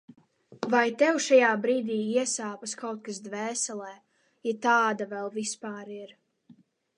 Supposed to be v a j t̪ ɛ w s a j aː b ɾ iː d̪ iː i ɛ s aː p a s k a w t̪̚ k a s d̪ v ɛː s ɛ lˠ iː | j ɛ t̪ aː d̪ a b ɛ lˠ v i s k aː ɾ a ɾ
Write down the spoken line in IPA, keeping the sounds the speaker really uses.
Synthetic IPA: v a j t̪ ɛ w ʃ a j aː b ɾ iː d̪ iː i ɛ s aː p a s k a w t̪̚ k a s d̪ v ɛː s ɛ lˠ ɛː | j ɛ t̪ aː d̪ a v ɛ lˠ v i s p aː ɾ i ɾ